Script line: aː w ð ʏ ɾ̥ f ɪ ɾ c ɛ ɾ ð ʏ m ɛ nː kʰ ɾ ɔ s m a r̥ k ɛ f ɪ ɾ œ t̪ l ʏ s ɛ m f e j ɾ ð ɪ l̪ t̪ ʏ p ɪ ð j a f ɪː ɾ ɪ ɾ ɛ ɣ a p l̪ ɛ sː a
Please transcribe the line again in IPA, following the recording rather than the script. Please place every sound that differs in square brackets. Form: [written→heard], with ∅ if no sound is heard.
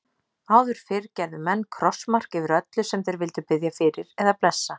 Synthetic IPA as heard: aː w ð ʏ ɾ̥ f ɪ ɾ c ɛ ɾ ð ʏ m ɛ nː kʰ ɾ ɔ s m a r̥ k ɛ [f→v] ɪ ɾ œ t̪ l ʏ s ɛ m [f→θ] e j ɾ [ð→v] ɪ l̪ t̪ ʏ p ɪ ð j a f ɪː ɾ ɪ ɾ ɛ [ɣ→ð] a p l̪ ɛ sː a